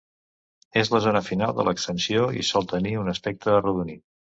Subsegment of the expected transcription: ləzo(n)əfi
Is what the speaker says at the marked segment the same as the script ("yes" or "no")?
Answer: yes